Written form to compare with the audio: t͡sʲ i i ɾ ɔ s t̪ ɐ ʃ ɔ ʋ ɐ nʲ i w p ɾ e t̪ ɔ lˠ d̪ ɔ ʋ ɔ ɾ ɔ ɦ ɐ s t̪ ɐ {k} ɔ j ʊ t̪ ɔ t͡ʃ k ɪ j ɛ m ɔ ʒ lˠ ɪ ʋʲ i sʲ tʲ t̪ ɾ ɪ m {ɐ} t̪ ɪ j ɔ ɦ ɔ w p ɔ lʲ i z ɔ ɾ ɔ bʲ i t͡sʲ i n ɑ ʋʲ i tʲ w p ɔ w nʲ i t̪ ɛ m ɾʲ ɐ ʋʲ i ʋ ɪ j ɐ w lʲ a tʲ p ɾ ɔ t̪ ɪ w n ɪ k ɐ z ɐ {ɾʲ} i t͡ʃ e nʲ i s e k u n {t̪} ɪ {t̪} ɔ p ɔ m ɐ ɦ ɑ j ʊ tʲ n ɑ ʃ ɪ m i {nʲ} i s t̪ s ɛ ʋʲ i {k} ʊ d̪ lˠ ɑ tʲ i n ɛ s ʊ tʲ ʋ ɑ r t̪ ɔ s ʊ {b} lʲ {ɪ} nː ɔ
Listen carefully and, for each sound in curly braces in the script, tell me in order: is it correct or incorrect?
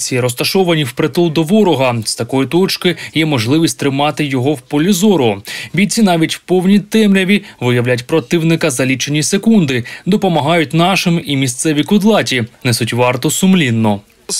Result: correct, incorrect: ɑ, incorrect: lʲ, incorrect: d̪, incorrect: d̪, incorrect: mʲ, correct, incorrect: m, incorrect: i

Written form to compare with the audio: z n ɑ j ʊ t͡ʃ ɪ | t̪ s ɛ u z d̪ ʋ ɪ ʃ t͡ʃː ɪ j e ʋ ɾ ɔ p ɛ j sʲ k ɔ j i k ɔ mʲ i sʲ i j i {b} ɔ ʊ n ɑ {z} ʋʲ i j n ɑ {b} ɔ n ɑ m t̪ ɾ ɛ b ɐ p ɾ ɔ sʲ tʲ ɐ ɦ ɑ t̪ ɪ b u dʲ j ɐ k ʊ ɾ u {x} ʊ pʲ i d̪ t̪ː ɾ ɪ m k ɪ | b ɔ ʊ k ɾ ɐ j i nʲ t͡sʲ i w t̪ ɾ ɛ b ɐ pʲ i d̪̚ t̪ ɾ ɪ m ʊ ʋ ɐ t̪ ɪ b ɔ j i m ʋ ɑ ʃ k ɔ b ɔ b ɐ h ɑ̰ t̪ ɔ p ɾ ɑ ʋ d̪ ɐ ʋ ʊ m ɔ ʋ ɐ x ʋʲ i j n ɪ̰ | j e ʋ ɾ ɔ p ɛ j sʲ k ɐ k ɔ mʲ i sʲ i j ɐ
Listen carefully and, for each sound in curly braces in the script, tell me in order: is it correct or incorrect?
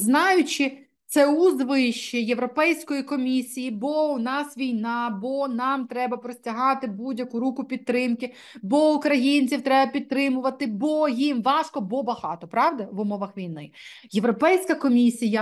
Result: correct, incorrect: s, correct, incorrect: k

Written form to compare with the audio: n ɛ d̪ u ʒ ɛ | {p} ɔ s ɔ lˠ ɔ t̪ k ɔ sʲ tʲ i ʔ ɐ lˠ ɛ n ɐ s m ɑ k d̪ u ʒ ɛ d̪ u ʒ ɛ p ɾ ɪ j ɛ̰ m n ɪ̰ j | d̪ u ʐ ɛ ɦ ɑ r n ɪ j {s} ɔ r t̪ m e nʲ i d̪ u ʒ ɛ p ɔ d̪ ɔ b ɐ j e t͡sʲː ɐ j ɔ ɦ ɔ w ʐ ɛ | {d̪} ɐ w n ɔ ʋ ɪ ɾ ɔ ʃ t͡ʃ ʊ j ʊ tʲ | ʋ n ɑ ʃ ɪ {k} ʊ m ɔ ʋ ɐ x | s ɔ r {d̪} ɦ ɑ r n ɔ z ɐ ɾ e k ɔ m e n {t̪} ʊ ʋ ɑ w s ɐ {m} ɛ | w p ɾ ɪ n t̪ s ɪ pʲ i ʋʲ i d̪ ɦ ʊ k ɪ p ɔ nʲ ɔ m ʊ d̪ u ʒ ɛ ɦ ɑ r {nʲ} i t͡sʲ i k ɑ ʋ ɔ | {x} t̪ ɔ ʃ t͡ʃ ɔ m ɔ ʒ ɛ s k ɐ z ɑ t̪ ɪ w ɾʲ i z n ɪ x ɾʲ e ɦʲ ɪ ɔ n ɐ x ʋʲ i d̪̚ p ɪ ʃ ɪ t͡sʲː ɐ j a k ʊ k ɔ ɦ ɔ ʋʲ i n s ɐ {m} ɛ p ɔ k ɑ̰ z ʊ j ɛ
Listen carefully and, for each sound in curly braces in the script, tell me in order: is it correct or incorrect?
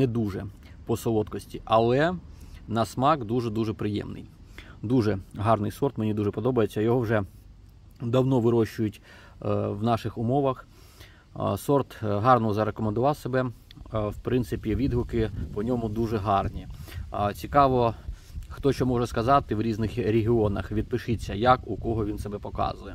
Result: correct, correct, correct, incorrect: x, incorrect: t̪, incorrect: d̪, incorrect: b, correct, correct, incorrect: b

